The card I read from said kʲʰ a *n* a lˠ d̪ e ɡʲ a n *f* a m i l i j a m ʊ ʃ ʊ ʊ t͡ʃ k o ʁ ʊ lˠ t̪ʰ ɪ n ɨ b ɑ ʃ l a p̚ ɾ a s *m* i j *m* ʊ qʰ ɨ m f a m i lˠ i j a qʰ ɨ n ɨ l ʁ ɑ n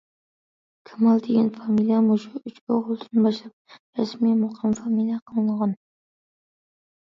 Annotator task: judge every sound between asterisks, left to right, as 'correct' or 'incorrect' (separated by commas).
incorrect, correct, correct, correct